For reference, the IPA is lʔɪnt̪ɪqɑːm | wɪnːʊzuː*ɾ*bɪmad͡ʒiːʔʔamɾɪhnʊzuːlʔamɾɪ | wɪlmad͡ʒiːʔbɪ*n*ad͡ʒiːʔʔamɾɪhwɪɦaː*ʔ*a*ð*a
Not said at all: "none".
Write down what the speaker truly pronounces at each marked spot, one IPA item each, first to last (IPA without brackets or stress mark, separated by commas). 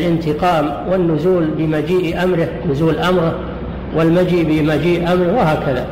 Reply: l, m, k, ð